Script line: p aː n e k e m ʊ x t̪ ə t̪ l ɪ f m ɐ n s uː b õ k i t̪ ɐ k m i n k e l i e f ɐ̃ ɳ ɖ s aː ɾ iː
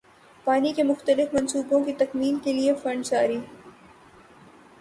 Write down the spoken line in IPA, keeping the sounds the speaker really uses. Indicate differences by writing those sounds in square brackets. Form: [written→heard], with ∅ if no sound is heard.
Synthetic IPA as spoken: p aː n [e→i] k e m ʊ x t̪ ə [t̪→∅] l ɪ f m ɐ n s uː b õ k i t̪ ɐ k m [i→iː] n k e l i e f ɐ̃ ɳ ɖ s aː ɾ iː